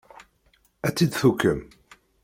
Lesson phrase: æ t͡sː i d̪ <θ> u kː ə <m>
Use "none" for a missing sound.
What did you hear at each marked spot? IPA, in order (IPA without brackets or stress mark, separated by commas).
θ, m